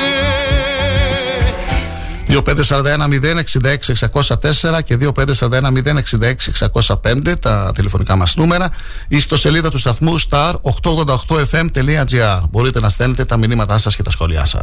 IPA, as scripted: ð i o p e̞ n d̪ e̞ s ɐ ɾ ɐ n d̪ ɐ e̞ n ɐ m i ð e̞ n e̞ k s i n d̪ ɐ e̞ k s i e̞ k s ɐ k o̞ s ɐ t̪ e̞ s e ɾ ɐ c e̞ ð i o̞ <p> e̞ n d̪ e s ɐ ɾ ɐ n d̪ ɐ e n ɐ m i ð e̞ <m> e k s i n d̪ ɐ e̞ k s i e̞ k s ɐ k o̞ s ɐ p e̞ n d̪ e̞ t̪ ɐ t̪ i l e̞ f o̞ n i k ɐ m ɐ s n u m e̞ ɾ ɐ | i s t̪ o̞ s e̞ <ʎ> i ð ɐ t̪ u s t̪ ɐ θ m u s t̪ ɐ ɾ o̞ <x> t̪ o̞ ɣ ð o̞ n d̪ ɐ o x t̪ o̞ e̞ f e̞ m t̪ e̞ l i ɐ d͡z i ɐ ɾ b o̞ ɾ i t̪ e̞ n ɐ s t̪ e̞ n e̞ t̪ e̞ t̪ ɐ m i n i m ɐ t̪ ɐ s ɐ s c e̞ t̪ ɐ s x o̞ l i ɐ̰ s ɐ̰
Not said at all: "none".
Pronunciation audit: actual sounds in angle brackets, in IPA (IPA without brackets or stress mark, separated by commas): p, n, l, x